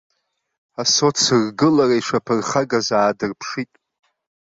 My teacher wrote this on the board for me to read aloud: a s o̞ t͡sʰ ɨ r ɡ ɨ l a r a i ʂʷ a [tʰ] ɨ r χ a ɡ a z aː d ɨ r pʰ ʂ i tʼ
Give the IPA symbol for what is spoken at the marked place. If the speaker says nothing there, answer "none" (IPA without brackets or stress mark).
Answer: pʰ